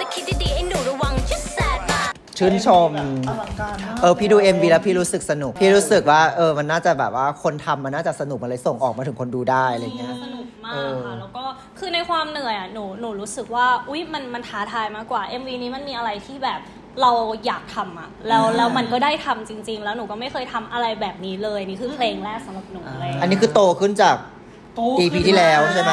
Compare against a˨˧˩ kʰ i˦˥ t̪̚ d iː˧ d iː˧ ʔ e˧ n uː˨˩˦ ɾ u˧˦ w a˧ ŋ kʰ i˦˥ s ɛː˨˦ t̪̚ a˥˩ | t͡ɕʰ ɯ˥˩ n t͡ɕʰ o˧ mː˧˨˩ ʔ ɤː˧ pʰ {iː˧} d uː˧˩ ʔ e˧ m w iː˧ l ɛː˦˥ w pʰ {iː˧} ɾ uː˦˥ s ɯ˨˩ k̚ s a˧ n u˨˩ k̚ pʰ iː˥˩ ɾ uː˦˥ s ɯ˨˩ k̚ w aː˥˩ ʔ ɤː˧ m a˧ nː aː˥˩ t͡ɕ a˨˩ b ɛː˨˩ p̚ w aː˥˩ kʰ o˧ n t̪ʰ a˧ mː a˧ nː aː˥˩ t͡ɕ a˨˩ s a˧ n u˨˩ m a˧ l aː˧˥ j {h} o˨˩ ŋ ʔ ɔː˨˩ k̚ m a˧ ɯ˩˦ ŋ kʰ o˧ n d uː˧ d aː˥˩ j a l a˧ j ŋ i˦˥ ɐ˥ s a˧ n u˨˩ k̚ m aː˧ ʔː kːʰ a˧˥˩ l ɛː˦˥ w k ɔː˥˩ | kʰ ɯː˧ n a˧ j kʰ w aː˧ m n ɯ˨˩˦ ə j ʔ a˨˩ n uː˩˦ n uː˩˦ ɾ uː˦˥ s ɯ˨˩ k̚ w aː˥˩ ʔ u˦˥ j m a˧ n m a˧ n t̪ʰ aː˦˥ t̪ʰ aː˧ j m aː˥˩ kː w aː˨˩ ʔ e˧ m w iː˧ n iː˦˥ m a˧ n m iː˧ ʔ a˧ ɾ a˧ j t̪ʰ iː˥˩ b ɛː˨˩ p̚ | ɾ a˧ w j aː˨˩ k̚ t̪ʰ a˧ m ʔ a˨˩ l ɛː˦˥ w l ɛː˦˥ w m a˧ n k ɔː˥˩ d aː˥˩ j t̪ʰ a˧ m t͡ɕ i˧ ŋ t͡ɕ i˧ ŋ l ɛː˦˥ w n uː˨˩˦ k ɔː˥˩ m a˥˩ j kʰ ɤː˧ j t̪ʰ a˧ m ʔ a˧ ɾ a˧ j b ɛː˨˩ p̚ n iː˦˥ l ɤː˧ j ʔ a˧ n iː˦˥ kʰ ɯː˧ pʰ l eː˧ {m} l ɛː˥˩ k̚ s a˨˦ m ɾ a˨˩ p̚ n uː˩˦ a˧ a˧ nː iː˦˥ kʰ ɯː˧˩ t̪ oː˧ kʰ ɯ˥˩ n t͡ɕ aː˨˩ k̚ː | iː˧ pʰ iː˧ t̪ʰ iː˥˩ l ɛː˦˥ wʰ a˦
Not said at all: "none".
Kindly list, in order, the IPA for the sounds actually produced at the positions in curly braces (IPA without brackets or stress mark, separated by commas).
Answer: iː˥˩, iː˥˩, s, ŋ